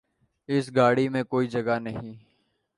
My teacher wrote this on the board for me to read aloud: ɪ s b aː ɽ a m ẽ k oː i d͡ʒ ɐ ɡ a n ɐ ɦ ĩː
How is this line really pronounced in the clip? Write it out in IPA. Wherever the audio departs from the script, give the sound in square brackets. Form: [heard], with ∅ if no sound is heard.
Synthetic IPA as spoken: ɪ s [ɡ] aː ɽ [i] m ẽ k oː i d͡ʒ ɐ ɡ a n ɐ ɦ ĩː